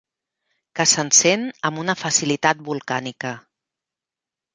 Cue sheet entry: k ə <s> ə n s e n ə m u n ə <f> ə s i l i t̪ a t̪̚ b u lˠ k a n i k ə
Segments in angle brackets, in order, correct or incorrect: correct, correct

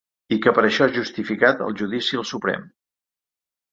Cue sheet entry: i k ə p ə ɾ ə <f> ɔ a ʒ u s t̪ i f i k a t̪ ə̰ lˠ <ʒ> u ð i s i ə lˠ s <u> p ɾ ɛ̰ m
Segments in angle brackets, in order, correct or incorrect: incorrect, correct, correct

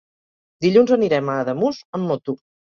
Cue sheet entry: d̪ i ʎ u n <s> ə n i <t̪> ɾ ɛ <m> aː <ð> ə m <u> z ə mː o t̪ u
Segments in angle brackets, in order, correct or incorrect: incorrect, incorrect, correct, correct, correct

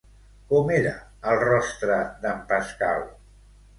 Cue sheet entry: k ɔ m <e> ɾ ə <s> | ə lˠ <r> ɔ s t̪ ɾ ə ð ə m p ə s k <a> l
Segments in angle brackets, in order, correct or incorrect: correct, incorrect, correct, correct

